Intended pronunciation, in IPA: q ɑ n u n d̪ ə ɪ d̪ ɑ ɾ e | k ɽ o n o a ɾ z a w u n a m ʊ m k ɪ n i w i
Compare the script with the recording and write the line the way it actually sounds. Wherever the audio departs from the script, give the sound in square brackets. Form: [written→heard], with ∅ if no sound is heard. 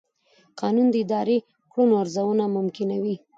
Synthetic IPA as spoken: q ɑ n u n d̪ ə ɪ d̪ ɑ ɾ e | k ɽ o n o a ɾ z a w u n a m ʊ m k ɪ n [i→a] w i